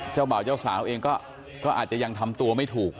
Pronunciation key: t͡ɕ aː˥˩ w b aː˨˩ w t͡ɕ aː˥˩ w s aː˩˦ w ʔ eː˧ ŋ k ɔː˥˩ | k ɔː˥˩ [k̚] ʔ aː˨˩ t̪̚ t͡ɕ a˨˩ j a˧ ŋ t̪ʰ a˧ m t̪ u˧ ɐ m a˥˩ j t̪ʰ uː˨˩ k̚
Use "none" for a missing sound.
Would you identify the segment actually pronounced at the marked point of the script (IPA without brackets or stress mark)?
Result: none